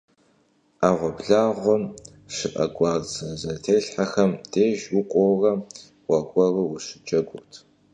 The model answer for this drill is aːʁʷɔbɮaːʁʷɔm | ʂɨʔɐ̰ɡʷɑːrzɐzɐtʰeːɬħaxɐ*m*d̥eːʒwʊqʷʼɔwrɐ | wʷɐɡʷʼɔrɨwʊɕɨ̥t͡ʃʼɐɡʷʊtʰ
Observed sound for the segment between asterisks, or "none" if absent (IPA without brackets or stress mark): m